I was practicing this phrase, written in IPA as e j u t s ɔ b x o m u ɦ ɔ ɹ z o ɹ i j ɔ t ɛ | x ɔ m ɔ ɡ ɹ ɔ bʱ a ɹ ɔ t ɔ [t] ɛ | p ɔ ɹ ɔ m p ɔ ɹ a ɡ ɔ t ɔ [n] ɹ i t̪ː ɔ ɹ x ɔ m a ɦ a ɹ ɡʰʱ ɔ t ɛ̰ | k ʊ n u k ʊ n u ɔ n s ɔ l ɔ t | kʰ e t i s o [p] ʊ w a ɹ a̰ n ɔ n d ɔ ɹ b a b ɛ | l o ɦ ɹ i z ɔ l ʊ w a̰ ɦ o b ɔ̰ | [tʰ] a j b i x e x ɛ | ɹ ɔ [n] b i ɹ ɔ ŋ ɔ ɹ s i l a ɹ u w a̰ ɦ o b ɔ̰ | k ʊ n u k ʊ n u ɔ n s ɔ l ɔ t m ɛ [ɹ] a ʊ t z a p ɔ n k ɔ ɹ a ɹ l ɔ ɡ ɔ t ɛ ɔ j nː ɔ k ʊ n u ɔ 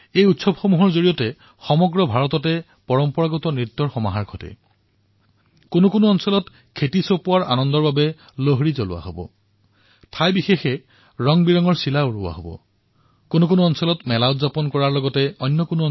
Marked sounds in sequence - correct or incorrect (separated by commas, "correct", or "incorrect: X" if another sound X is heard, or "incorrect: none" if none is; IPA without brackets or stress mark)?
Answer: correct, correct, correct, correct, incorrect: ŋ, incorrect: l